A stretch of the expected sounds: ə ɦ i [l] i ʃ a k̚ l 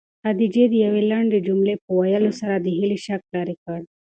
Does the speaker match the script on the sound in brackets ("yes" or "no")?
yes